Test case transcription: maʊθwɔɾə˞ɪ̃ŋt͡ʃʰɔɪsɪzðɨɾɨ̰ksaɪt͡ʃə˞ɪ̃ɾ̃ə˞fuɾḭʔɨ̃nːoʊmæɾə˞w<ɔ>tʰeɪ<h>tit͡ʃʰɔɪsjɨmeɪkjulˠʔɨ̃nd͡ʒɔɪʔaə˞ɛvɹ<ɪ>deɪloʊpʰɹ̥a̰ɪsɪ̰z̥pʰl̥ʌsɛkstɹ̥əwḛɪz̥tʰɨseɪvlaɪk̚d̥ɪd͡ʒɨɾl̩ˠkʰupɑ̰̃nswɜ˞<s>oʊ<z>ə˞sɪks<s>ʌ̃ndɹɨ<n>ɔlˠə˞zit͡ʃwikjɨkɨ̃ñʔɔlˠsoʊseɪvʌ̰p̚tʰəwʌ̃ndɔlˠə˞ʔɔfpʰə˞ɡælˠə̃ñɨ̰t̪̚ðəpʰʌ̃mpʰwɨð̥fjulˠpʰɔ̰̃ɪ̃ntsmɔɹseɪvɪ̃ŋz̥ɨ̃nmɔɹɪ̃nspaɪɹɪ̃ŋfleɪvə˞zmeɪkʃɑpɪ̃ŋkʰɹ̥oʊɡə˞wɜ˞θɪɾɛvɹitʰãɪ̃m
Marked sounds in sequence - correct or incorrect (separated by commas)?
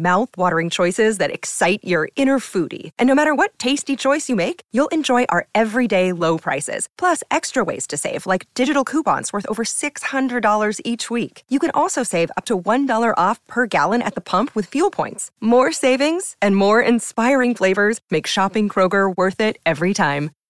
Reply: incorrect, incorrect, incorrect, incorrect, incorrect, incorrect, incorrect